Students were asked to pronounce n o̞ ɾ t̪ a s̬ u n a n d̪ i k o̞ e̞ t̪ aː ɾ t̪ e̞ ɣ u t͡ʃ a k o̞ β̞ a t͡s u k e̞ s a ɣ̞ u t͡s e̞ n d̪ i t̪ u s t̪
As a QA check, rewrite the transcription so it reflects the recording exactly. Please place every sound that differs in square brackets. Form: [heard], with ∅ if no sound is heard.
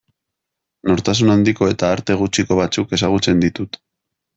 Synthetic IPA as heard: n o̞ ɾ t̪ a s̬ u n a n d̪ i k o̞ e̞ t̪ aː ɾ t̪ e̞ ɣ u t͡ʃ [i] k o̞ β̞ a t͡s u k e̞ s a ɣ̞ u t͡s e̞ n d̪ i t̪ u [∅] t̪